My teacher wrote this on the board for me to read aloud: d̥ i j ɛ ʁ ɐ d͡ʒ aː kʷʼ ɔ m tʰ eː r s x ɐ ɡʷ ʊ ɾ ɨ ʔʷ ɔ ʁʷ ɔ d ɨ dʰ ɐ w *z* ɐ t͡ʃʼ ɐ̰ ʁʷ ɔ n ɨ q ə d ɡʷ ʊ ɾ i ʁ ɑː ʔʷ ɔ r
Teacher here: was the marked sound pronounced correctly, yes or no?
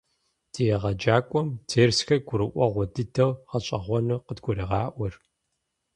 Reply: no